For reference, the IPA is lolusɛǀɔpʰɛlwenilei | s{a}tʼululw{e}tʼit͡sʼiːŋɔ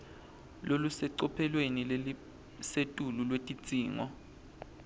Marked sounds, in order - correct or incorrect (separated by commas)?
incorrect, correct